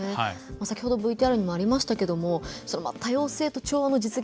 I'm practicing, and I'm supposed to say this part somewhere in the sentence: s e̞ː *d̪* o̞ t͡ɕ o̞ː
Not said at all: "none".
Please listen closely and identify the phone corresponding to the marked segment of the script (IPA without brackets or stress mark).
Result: t̪